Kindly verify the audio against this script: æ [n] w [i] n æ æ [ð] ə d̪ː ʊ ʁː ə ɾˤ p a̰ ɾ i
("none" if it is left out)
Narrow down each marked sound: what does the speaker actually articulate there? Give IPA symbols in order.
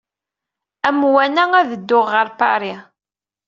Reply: m, æ, ð

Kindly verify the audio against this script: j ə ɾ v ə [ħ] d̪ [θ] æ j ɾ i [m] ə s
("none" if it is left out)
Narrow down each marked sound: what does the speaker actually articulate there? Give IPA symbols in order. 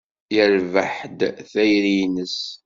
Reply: ħ, θ, n

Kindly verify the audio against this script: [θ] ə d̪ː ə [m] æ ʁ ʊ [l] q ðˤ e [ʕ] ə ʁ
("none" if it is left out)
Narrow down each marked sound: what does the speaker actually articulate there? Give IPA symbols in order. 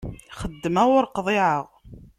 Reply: χ, m, ɾ, ʕ

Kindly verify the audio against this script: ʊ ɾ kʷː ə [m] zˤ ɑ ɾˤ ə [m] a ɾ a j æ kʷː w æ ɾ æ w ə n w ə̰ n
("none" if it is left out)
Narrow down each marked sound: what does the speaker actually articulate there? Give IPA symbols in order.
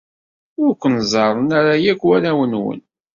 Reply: n, n

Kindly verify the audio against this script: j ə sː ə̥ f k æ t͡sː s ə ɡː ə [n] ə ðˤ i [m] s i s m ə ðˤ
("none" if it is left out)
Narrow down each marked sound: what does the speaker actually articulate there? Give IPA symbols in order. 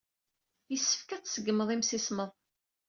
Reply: m, m

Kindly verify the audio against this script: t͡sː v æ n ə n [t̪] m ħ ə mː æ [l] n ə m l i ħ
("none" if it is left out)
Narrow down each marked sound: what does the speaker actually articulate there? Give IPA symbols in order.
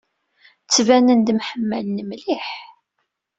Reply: d̪, l

